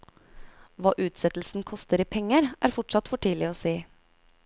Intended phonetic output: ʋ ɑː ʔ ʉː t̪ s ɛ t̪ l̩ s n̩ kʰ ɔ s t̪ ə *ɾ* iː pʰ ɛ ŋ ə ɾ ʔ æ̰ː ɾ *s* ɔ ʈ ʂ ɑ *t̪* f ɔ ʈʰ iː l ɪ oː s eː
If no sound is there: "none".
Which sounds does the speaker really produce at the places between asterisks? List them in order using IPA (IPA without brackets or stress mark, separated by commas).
ɾ, f, t̪